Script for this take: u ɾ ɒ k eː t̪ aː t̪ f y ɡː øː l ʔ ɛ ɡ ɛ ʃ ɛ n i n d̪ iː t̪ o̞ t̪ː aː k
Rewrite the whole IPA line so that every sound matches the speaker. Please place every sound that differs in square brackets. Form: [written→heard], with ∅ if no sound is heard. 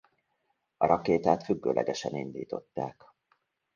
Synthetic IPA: [u→ɒ] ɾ ɒ k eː t̪ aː t̪ f y ɡː øː l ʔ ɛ ɡ ɛ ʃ ɛ n i n d̪ iː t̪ o̞ t̪ː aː k